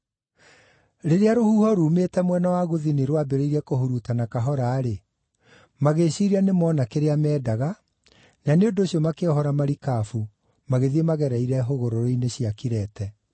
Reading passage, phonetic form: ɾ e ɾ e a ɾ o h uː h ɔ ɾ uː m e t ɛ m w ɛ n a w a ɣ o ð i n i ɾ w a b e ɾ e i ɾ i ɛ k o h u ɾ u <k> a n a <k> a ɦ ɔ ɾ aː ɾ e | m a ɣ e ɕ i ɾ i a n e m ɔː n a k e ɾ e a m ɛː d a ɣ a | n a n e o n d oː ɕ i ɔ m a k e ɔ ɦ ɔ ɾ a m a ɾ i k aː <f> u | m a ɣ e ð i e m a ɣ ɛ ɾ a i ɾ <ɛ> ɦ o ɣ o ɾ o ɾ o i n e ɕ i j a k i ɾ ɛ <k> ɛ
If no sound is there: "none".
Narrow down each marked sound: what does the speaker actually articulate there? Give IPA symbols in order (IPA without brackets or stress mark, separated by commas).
t, k, f, ɛ, t